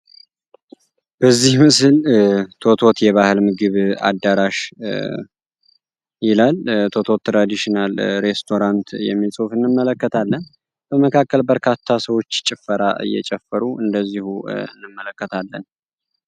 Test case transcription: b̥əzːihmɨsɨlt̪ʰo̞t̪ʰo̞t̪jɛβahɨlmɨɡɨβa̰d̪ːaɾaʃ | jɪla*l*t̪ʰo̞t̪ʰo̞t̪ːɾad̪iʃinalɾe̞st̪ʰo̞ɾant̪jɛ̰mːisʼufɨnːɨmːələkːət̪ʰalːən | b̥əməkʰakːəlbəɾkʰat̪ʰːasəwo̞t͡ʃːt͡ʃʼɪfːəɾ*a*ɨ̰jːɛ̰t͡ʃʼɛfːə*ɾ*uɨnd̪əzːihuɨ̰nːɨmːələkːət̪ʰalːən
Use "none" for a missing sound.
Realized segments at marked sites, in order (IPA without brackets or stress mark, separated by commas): l, a, ɾ